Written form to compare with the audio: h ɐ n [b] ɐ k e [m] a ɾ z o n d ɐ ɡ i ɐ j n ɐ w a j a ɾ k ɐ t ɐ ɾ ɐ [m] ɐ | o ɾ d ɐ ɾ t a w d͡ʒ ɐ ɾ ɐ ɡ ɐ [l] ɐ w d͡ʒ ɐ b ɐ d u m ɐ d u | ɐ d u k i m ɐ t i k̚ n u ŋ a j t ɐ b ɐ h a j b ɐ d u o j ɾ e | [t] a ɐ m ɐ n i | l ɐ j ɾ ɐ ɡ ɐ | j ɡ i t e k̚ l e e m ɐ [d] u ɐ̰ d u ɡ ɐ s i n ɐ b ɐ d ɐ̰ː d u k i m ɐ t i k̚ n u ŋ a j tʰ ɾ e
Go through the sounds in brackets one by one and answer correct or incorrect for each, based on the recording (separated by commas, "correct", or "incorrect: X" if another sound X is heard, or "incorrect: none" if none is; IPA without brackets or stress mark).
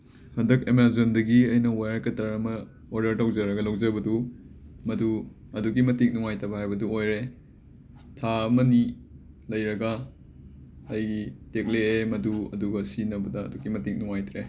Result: incorrect: d, correct, correct, correct, incorrect: tʰ, correct